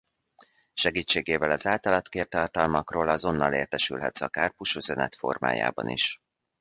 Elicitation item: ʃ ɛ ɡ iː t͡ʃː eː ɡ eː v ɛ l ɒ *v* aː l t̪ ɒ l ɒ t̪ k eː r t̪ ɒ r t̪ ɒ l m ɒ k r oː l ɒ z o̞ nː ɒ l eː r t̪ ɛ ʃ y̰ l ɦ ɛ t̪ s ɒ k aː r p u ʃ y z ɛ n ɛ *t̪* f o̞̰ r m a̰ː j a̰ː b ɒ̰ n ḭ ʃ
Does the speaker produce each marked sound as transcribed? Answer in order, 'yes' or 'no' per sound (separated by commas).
no, yes